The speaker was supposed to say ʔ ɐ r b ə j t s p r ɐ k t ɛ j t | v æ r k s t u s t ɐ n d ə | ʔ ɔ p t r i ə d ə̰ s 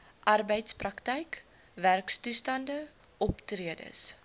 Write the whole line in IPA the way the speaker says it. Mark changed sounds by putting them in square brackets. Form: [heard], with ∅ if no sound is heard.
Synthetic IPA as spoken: ʔ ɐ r b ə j t s p r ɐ k t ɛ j [k] | v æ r k s t u s t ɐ n d ə | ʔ ɔ p t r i ə d ə̰ s